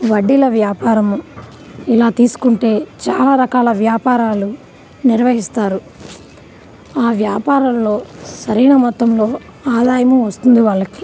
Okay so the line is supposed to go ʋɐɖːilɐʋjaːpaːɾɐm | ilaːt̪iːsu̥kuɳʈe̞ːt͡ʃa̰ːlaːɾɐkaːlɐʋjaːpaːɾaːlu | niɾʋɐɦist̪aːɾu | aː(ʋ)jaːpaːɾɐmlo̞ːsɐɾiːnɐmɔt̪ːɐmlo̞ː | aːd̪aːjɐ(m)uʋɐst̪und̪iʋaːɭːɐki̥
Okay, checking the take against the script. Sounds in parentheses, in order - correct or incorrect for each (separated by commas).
correct, correct